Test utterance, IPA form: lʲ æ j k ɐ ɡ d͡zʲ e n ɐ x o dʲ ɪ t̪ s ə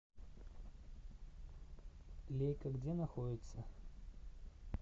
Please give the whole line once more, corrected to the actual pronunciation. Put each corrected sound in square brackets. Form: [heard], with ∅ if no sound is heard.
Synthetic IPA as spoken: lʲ [e] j k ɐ ɡ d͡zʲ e n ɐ x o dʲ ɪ t̪ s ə